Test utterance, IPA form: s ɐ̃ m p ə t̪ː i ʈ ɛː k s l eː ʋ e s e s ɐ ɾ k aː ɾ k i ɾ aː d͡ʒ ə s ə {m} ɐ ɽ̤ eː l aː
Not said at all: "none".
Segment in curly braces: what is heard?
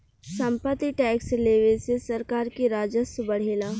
b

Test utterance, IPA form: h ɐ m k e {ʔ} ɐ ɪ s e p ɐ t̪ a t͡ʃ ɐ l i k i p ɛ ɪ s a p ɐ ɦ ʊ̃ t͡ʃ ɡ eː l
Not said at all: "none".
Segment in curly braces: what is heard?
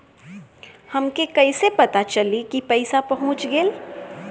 k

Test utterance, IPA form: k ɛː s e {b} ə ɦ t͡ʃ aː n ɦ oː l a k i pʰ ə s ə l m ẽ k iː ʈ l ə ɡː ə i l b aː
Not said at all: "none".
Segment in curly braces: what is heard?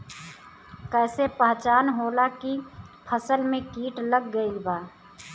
p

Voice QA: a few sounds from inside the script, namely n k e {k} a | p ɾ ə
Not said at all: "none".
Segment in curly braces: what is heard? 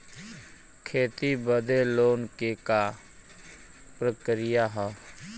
k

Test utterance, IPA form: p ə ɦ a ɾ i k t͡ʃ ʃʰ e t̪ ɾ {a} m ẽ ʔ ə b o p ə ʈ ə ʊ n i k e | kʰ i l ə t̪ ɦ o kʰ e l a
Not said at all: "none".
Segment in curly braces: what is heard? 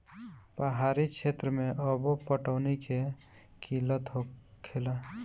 ə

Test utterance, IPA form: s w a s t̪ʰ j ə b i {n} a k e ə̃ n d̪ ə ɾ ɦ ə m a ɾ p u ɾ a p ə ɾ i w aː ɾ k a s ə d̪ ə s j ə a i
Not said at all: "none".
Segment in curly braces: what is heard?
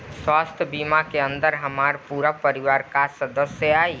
m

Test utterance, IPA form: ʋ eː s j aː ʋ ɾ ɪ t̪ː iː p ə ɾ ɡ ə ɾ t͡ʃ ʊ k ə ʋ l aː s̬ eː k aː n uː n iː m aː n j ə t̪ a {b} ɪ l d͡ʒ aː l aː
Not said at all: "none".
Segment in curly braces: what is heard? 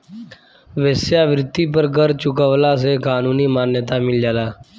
m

